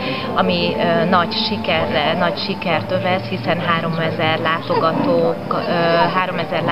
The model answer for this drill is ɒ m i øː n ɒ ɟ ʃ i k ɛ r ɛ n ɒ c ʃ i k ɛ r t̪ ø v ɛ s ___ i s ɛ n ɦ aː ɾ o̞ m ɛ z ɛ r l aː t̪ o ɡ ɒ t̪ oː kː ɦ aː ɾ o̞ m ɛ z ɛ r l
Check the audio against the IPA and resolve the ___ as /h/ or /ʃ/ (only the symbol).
h